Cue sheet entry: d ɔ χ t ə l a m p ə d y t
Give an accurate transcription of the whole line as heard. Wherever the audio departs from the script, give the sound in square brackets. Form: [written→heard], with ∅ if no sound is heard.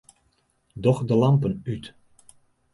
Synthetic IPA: d ɔ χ [t→d] ə l [a→ɑ] m p ə [d→n] y t